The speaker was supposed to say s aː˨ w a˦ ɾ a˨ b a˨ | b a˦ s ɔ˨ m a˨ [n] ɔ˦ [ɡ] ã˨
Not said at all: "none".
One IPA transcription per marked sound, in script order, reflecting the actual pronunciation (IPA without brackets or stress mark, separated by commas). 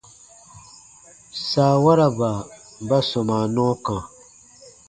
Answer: n, k